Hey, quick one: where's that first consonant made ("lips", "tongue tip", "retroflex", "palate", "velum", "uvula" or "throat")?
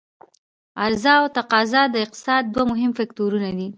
tongue tip